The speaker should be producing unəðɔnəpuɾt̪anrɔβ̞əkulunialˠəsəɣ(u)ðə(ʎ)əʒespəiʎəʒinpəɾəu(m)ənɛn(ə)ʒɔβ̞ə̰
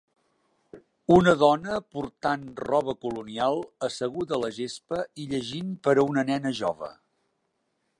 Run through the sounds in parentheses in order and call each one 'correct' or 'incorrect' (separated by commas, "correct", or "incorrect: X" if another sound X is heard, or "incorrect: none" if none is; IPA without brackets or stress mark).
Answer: correct, incorrect: l, incorrect: n, correct